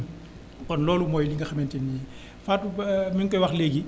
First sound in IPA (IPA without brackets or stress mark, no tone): k